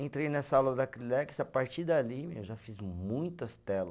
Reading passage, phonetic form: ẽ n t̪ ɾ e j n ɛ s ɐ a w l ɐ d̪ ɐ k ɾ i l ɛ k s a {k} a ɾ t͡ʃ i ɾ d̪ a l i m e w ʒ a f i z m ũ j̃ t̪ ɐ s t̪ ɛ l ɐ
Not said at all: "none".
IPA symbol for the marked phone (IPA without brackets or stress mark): p